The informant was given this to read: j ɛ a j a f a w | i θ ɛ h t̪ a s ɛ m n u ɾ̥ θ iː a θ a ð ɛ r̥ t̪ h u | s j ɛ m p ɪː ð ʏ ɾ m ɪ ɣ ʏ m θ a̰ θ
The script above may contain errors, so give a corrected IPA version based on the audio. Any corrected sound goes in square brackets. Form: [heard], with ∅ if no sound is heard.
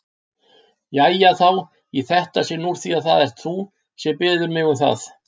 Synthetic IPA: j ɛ a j a [θ] a w | i θ ɛ h t̪ a s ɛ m n u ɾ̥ θ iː a θ a ð ɛ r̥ t̪ [θ] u | s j ɛ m p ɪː ð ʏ ɾ m ɪ ɣ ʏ m θ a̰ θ